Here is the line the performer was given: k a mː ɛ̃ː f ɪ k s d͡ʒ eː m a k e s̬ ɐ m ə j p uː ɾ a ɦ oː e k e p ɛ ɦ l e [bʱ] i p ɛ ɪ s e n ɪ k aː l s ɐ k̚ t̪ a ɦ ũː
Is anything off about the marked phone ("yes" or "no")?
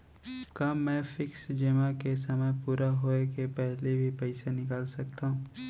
no